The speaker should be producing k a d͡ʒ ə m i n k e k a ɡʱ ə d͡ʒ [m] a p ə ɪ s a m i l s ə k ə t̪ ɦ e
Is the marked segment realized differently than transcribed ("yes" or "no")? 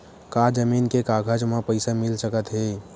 no